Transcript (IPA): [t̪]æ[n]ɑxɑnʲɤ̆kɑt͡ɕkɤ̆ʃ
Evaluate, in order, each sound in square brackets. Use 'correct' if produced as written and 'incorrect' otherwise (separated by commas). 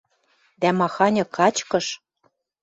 incorrect, incorrect